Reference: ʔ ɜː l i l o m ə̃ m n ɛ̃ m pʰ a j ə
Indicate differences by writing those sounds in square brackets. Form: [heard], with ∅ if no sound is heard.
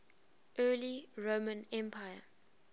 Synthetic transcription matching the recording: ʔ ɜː l i [ɹ] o m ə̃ [∅] n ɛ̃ m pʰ a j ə